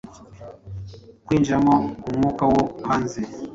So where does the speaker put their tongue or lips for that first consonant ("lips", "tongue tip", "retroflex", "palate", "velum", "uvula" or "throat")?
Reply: velum